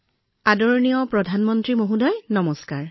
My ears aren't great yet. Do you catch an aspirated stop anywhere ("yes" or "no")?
no